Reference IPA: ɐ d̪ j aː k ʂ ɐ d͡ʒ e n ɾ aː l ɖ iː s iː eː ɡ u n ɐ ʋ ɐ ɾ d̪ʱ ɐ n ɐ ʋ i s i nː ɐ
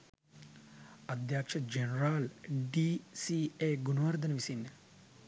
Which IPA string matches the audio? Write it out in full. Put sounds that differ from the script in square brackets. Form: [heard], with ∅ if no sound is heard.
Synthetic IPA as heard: ɐ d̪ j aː k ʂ ɐ d͡ʒ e n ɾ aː l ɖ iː s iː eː ɡ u n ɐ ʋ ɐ ɾ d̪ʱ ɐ n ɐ ʋ i s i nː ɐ